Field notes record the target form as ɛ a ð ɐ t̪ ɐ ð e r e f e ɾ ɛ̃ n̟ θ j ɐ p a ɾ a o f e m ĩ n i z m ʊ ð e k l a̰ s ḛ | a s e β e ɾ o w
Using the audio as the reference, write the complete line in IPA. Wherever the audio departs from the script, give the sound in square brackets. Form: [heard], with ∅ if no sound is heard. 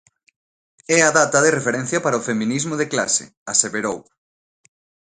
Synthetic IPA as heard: ɛ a ð [a] t̪ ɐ ð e r e f e ɾ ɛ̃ n̟ θ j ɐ p a ɾ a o f e m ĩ n i z m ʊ ð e k l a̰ s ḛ | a s e β e ɾ o w